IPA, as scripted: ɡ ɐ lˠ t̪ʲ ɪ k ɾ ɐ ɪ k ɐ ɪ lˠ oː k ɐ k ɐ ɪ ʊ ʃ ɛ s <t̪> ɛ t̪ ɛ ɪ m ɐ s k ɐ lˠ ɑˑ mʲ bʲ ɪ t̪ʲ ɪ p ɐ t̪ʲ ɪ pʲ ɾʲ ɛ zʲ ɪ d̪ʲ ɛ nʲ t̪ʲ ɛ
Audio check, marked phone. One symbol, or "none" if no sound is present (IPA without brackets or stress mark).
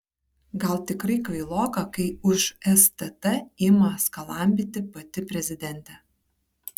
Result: t̪